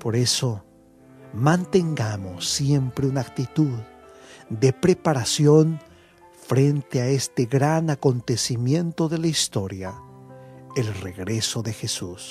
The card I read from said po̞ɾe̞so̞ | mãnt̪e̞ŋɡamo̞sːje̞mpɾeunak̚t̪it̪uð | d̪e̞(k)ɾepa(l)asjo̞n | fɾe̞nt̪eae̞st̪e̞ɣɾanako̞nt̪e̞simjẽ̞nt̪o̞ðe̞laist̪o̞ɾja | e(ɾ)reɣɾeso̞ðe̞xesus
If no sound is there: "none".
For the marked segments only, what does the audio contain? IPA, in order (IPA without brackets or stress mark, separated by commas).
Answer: p, ɾ, l